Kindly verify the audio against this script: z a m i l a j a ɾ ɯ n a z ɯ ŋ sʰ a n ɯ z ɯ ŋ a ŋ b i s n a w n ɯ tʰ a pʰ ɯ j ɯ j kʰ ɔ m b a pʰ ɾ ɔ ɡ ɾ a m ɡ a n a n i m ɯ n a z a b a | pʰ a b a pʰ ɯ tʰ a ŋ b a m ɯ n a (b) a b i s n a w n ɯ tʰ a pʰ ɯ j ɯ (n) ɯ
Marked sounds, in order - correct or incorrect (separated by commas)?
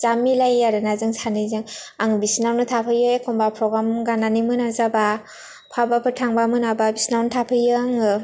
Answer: correct, incorrect